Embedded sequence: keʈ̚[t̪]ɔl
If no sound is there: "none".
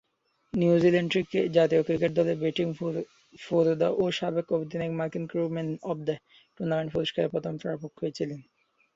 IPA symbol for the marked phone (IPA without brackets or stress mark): d̪